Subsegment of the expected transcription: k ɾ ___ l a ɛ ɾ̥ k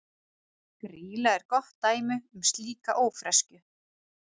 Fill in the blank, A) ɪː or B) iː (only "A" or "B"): B